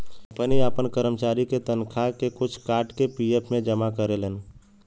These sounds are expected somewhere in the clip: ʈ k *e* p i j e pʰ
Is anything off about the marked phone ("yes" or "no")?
no